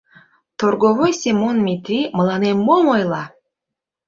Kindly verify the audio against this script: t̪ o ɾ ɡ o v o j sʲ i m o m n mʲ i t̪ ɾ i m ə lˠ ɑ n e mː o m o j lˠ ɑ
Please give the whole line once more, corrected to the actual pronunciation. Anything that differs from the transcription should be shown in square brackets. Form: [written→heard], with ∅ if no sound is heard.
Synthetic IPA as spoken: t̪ o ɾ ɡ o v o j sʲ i m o [m→∅] n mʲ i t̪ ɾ i m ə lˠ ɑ n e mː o m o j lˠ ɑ